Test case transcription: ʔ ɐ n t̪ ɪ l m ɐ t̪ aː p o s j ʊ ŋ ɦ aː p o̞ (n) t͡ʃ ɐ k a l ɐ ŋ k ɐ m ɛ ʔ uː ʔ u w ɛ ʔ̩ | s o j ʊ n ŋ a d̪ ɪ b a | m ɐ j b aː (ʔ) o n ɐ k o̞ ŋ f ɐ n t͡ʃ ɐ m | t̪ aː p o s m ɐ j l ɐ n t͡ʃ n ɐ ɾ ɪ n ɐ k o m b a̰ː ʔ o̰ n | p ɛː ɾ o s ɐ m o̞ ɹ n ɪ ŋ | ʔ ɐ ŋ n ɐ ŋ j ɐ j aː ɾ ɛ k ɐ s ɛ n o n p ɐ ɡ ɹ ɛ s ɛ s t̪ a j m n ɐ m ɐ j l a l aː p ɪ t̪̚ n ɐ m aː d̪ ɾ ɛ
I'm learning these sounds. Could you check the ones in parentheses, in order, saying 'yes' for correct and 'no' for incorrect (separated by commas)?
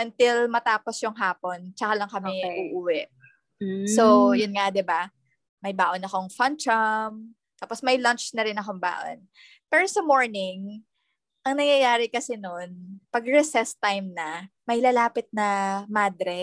yes, yes